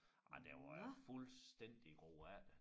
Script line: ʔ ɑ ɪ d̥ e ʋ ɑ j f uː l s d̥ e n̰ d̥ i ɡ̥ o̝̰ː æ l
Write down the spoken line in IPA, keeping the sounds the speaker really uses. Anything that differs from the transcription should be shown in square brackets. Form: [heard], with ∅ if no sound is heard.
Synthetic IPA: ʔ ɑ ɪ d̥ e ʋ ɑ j f [u] l s d̥ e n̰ d̥ i ɡ̥ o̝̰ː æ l